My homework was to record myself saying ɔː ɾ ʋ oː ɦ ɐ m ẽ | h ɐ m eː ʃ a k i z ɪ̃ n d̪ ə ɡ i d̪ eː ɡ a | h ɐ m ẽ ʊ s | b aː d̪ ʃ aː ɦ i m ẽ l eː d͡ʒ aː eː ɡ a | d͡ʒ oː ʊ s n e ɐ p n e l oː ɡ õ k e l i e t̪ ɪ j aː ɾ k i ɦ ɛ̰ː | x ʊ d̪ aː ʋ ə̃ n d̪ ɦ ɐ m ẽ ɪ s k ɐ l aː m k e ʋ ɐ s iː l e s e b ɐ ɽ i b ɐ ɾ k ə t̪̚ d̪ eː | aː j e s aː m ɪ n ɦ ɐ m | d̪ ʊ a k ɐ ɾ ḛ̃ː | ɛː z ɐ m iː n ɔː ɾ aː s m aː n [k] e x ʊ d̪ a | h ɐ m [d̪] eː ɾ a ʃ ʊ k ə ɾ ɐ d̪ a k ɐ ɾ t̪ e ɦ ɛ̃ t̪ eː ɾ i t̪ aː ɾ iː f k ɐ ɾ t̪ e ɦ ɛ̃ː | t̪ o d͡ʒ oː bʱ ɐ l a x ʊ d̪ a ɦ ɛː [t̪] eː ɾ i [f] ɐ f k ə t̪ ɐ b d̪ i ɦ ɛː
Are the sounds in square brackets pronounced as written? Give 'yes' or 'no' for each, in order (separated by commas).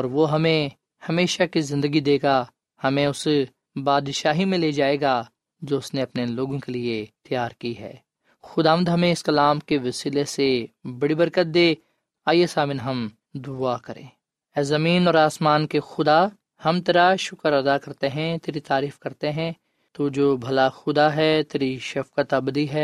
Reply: yes, no, yes, no